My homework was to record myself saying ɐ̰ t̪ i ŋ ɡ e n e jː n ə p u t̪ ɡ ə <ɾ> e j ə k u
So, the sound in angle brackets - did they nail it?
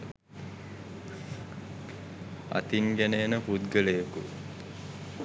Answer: no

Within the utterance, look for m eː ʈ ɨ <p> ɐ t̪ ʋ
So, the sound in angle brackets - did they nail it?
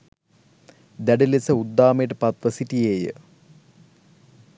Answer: yes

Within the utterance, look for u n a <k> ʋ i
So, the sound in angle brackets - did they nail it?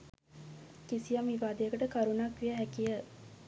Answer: yes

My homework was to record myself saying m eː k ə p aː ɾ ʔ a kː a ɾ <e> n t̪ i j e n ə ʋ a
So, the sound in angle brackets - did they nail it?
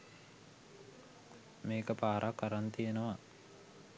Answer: no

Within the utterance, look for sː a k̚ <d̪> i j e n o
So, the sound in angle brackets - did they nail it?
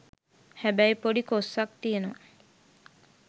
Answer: no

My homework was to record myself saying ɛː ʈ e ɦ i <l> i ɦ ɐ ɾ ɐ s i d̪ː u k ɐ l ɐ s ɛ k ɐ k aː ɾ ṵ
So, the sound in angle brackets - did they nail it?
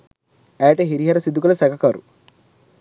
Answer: no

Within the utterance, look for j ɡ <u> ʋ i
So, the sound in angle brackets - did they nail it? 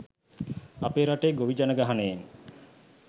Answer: no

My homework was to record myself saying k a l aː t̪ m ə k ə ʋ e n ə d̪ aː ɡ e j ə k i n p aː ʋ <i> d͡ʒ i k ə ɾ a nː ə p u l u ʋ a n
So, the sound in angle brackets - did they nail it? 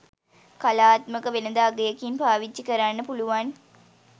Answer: yes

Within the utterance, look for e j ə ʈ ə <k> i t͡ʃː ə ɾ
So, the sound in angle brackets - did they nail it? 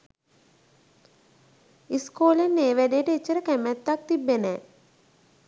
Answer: no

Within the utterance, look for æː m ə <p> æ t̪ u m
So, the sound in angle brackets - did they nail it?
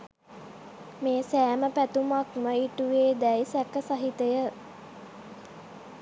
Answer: yes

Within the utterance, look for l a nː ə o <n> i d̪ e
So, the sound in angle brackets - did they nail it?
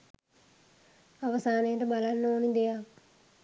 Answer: yes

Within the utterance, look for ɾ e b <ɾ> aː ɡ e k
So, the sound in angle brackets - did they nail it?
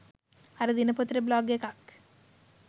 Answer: no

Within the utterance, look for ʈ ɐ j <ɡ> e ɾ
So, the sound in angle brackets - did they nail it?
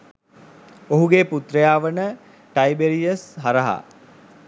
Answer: no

